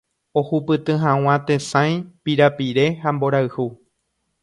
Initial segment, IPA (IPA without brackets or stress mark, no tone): o̞